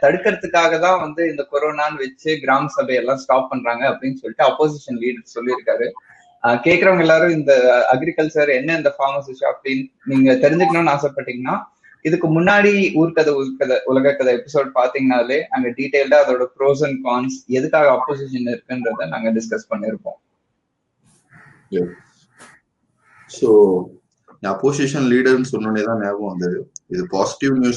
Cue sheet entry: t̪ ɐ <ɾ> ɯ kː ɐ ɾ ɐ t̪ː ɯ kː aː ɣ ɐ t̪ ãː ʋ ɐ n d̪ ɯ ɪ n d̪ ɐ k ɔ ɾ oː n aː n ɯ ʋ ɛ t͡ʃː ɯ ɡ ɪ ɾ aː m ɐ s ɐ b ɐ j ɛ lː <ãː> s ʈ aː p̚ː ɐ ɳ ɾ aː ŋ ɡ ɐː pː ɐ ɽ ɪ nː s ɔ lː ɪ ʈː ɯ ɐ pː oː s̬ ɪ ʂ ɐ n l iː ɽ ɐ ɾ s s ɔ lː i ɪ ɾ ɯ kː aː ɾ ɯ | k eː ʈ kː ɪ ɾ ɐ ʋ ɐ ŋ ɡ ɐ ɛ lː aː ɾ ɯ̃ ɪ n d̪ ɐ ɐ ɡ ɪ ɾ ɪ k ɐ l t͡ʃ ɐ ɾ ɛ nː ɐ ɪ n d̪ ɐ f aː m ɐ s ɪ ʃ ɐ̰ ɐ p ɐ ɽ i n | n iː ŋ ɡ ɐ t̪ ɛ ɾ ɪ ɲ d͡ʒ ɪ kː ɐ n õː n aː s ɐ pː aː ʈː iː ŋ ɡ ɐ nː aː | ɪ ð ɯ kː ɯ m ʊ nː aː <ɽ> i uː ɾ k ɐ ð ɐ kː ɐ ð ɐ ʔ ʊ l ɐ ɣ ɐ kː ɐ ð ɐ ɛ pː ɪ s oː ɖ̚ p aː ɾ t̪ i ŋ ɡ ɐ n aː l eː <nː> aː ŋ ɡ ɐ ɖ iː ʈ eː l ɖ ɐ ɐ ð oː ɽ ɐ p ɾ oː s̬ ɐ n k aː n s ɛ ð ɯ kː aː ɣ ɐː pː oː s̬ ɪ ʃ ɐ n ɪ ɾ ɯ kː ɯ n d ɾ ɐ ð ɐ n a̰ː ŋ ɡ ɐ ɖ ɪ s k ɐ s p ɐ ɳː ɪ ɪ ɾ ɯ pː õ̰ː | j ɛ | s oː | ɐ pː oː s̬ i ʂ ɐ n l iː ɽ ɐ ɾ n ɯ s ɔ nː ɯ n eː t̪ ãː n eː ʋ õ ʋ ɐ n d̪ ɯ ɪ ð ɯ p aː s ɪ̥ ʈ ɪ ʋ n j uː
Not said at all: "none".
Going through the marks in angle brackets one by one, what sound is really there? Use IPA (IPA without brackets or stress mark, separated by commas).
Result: ɽ, ãː, ɽ, n